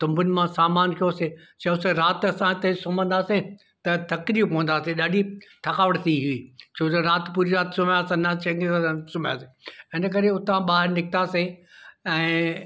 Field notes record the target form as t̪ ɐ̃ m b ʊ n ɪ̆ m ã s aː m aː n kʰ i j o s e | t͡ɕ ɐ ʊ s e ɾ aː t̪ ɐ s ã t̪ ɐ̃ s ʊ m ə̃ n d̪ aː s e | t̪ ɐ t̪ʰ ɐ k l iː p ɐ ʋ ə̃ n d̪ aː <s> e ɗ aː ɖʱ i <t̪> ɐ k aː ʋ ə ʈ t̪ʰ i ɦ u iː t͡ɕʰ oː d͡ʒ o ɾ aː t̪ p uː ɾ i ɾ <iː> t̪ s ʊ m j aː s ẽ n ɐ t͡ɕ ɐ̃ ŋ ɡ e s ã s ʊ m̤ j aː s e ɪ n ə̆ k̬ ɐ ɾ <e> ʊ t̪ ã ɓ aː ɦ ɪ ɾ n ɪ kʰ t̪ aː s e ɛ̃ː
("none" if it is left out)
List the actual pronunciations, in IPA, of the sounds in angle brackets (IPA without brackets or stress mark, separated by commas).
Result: s, t̪ʰ, aː, e